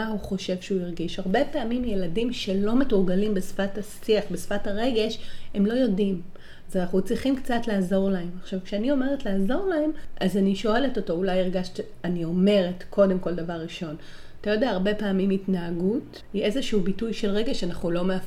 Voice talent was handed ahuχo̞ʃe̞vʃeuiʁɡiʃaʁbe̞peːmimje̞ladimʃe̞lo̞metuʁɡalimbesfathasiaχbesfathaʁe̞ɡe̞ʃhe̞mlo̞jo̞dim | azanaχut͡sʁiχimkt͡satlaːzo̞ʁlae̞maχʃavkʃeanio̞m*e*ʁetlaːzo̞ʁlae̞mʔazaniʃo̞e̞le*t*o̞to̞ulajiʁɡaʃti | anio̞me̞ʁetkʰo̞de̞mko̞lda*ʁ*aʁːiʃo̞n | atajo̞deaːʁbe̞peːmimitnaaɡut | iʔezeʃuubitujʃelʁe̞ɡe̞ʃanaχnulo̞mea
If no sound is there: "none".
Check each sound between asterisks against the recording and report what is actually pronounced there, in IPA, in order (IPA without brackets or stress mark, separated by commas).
e, t, v